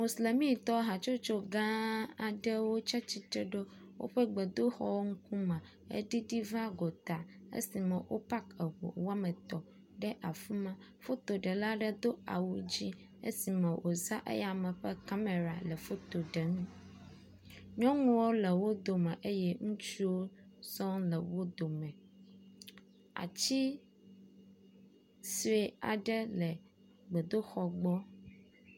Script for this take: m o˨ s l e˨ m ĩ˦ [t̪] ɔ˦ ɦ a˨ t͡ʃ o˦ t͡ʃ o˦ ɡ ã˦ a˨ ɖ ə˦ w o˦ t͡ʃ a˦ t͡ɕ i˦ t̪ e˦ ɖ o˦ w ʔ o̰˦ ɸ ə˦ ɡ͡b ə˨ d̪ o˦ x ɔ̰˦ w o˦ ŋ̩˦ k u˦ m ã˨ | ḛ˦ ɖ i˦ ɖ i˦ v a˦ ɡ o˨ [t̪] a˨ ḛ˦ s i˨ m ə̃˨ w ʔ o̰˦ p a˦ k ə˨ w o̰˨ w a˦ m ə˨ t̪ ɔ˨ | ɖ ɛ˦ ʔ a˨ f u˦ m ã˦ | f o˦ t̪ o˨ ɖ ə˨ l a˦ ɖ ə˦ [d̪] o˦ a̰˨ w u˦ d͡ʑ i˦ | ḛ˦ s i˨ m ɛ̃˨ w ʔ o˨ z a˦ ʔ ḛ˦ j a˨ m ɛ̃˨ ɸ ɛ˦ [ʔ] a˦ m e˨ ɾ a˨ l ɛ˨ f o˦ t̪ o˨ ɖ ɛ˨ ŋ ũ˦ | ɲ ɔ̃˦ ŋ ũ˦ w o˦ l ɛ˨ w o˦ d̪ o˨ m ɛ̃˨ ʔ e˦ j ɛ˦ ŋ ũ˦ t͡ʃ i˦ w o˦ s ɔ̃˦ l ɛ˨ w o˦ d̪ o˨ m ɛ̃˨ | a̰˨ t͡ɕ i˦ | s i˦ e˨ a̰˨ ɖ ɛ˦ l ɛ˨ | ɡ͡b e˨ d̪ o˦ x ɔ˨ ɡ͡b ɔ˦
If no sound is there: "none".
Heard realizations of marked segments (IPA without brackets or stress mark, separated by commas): t̪, t̪, d̪, k